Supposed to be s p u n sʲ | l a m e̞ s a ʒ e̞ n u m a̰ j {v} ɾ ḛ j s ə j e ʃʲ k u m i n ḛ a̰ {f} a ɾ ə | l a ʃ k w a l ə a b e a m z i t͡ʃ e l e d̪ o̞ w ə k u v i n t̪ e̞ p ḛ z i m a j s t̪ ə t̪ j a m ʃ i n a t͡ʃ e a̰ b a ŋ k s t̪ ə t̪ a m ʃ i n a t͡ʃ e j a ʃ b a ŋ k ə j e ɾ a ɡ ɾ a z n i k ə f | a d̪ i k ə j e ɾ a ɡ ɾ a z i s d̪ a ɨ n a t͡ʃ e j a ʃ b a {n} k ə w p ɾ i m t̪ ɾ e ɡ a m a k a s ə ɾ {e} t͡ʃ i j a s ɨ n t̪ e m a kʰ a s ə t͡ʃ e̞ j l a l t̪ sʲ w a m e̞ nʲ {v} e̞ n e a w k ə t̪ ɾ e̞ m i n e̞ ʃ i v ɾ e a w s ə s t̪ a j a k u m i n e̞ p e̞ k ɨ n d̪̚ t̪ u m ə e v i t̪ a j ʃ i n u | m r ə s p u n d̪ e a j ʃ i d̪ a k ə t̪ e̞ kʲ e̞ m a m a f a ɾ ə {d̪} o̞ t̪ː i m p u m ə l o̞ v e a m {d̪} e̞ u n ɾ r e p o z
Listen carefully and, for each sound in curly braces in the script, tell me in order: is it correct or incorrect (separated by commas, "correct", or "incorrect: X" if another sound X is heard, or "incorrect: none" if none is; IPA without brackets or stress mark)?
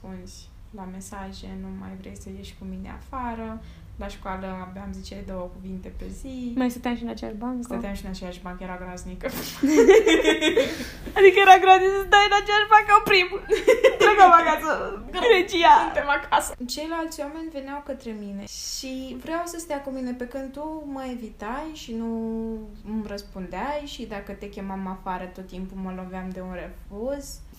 correct, correct, incorrect: ŋ, correct, correct, incorrect: t̪, correct